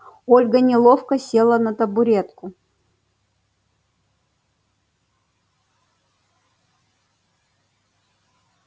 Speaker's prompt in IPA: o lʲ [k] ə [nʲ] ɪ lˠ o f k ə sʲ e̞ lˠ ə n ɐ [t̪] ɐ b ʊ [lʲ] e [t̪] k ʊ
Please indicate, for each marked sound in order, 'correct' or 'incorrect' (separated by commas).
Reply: incorrect, correct, correct, incorrect, correct